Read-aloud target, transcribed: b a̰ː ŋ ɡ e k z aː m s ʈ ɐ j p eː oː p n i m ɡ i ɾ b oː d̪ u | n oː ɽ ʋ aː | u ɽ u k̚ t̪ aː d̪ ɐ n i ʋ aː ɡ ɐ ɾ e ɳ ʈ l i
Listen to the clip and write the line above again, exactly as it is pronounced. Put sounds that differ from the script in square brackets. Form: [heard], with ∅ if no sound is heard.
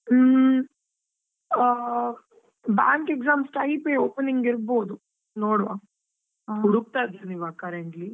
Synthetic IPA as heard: b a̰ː ŋ [k] e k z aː m s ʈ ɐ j p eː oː p n i [ŋ] ɡ i ɾ b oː d̪ u | n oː ɽ ʋ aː | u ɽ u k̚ t̪ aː d̪ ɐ n i ʋ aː [k] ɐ ɾ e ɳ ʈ l i